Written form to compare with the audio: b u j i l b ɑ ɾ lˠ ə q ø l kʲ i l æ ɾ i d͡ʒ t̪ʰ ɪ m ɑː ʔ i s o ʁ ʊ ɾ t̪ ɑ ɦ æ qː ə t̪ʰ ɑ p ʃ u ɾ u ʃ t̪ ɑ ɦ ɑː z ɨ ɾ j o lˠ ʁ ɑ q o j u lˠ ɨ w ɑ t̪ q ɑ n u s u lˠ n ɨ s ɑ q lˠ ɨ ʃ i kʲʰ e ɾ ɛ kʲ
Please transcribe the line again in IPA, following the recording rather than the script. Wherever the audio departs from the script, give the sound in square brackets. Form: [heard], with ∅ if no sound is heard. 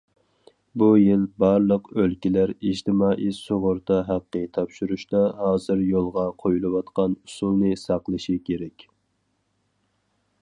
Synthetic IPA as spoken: b u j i l b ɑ ɾ lˠ ə q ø l kʲ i l æ ɾ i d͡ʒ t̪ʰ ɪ m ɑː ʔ i s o ʁ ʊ ɾ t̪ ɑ ɦ æ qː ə t̪ʰ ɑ p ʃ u ɾ u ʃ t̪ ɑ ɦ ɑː z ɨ ɾ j o lˠ ʁ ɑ [qʰ] o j u lˠ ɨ w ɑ t̪ q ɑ n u s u lˠ n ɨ s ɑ q lˠ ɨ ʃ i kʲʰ e ɾ ɛ kʲ

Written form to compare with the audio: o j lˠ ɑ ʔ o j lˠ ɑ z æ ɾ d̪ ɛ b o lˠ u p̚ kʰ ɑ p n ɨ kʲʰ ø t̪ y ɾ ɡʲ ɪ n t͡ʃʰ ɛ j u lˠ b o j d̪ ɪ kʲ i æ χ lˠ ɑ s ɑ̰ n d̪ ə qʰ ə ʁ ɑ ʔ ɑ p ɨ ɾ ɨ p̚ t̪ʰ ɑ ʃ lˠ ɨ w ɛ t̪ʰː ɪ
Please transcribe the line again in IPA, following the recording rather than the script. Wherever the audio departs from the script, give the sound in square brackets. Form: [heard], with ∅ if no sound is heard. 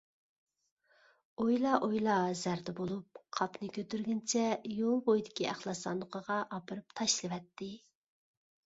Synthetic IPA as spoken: o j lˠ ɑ ʔ o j lˠ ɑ z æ ɾ d̪ ɛ b o lˠ u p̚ [qʰ] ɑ p n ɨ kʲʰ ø t̪ y ɾ ɡʲ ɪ n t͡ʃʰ ɛ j [o] lˠ b o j d̪ ɪ kʲ i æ χ lˠ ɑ s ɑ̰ n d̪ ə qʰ ə ʁ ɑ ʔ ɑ p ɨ ɾ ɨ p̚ t̪ʰ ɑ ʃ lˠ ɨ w ɛ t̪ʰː ɪ

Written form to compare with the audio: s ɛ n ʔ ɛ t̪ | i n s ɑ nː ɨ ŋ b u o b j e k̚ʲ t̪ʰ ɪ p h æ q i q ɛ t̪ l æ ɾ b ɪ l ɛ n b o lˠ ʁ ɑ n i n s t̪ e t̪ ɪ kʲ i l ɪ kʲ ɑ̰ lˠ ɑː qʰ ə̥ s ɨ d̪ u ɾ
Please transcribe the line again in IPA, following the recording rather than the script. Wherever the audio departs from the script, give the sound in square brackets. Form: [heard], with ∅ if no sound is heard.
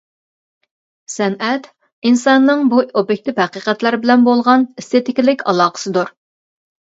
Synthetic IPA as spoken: s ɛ n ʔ ɛ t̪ | i n s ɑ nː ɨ ŋ b u o b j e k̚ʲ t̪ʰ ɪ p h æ q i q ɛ t̪ l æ ɾ b ɪ l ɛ n b o lˠ ʁ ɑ n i [∅] s t̪ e t̪ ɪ kʲ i l ɪ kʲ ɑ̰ lˠ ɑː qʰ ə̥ s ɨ d̪ u ɾ

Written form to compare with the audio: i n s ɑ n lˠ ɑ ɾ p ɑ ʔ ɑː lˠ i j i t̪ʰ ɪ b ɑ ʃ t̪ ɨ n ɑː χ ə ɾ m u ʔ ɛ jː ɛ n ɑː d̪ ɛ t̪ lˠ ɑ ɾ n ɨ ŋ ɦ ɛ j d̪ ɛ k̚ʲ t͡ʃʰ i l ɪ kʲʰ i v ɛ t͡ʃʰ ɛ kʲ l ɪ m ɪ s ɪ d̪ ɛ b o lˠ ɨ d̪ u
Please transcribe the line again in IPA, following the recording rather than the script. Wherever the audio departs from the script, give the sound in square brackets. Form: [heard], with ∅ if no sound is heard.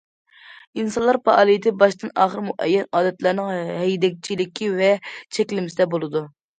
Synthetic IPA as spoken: i n s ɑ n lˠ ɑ ɾ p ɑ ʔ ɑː lˠ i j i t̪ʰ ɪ b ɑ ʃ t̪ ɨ n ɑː χ ə ɾ m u ʔ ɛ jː ɛ n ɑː d̪ ɛ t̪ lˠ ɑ ɾ n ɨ ŋ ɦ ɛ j d̪ ɛ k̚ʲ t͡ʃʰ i l ɪ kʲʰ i v ɛ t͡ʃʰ ɛ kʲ l ɪ m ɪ s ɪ d̪ ɛ b o lˠ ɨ d̪ u

